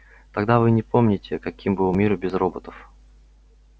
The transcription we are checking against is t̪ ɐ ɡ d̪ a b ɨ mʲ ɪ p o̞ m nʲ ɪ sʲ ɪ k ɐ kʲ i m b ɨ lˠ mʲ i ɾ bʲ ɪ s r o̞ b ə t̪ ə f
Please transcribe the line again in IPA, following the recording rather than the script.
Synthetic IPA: t̪ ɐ ɡ d̪ a v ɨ nʲ ɪ p o̞ m nʲ ɪ tʲ ɪ k ɐ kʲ i m b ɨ lˠ mʲ i ɾ bʲ ɪ z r o̞ b ə t̪ ə f